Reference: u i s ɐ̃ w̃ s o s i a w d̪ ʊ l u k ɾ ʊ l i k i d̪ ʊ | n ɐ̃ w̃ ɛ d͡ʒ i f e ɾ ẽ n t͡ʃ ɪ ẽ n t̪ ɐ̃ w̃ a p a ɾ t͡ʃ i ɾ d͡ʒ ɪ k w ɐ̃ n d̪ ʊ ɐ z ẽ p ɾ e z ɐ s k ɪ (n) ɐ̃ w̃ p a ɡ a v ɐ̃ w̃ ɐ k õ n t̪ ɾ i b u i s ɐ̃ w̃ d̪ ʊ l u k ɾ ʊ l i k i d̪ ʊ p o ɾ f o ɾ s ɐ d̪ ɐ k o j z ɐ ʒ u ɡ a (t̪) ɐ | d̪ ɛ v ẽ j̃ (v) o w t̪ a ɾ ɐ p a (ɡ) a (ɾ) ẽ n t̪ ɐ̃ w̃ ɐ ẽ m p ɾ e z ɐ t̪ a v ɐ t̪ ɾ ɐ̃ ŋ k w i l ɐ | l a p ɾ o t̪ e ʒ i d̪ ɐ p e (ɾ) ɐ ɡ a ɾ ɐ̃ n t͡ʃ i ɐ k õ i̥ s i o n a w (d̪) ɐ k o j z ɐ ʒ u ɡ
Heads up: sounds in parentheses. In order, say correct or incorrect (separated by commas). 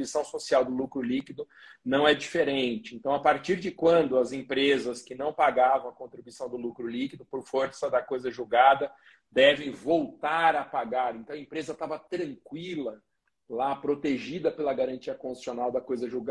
correct, incorrect, correct, correct, correct, incorrect, correct